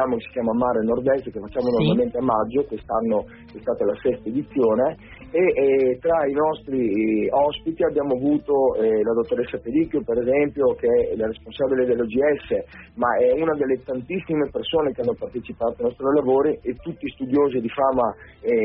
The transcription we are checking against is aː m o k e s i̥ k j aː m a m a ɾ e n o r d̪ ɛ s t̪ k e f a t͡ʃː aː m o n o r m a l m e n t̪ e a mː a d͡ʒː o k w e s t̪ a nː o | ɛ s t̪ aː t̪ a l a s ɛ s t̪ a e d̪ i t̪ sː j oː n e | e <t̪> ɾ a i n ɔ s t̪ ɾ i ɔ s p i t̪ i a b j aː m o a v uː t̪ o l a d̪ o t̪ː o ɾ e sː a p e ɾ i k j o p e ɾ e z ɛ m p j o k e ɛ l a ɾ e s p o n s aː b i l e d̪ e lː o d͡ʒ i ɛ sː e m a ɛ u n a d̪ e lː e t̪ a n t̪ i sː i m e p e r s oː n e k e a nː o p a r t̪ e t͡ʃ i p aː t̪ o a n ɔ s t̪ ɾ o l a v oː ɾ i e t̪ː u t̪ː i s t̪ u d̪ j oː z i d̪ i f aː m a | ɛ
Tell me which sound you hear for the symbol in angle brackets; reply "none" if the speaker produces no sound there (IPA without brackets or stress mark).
t̪